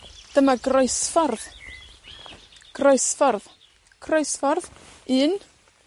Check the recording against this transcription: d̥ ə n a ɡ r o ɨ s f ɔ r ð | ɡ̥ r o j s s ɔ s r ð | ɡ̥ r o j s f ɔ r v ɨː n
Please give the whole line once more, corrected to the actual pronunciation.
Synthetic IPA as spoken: d̥ ə m a ɡ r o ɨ s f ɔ r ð | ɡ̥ r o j s f ɔ r ð | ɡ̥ r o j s f ɔ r ð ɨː n

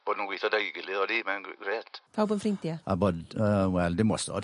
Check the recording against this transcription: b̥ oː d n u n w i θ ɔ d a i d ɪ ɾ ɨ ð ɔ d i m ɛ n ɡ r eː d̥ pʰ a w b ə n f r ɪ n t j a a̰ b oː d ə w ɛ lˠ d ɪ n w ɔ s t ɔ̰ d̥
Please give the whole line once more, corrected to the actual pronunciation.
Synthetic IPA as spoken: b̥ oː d n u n w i θ ɔ d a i ɡ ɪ l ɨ ð ɔ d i m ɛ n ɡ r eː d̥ pʰ a w b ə n f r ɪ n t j a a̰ b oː d ə w ɛ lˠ d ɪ m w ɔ s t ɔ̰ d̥

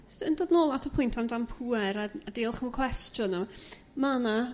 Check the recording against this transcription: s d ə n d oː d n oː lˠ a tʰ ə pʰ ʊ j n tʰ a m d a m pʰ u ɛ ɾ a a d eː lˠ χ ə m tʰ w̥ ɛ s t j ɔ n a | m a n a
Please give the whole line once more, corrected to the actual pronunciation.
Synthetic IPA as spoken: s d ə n d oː d n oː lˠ a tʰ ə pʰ ʊ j n tʰ a m d a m pʰ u ɛ ɾ a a d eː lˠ χ ə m kʰ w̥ ɛ s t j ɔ n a | m a n a

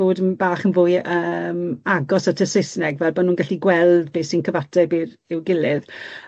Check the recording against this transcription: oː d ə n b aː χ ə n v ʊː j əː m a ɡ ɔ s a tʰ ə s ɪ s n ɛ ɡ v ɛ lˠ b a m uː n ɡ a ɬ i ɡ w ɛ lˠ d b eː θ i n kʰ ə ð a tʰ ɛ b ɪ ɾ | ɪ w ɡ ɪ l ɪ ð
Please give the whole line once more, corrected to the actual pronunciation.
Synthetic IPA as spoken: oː d ə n b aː χ ə n v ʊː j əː m a ɡ ɔ s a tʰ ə s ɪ s n ɛ ɡ v ɛ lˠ b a n uː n ɡ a ɬ i ɡ w ɛ lˠ d b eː s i n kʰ ə v a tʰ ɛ b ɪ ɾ | ɪ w ɡ ɪ l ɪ ð

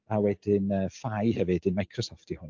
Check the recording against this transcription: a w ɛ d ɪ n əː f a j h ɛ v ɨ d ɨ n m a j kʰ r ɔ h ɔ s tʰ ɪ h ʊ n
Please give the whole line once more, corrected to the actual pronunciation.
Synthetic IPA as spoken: a w ɛ d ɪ n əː f a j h ɛ v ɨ d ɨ n m a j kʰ r ɔ s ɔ f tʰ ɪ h ʊ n

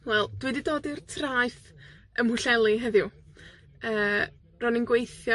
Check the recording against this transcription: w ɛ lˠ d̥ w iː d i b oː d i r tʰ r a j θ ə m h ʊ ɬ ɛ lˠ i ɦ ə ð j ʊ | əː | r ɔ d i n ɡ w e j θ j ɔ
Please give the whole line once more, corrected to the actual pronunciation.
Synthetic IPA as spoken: w ɛ lˠ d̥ w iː d i d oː d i r tʰ r a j θ ə m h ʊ ɬ ɛ lˠ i ɦ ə ð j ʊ | əː | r ɔ n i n ɡ w e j θ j ɔ

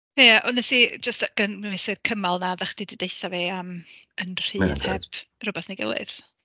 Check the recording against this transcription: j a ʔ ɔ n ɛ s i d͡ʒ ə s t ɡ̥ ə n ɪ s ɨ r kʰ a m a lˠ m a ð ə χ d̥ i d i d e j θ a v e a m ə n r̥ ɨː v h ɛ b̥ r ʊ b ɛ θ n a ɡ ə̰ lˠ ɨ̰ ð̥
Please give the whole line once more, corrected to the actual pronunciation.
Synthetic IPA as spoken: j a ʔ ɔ n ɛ s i d͡ʒ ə s t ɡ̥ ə n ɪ s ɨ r kʰ ə m a lˠ n a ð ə χ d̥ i d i d e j θ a v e a m ə n r̥ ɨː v h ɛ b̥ r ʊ b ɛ θ n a ɡ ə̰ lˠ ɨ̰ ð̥

